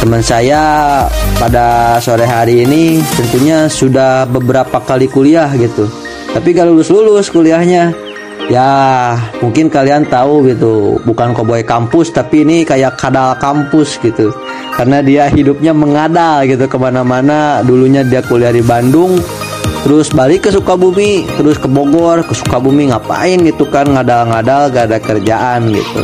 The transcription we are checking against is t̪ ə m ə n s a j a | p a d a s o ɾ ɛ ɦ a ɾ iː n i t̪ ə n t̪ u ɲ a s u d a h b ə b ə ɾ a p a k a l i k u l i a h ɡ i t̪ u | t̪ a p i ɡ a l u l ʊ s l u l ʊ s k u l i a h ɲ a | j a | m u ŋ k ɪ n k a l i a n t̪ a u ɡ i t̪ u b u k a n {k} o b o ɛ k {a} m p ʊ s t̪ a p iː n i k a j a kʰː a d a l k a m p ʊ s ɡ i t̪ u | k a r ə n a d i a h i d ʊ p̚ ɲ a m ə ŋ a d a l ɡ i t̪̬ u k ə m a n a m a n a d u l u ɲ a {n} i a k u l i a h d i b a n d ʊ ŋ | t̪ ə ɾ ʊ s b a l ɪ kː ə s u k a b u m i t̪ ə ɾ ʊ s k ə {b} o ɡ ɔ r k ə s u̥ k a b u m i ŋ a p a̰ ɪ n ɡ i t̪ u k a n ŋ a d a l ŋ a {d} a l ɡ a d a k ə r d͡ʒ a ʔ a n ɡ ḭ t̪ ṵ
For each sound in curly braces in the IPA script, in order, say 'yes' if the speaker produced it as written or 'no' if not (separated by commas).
yes, yes, no, yes, yes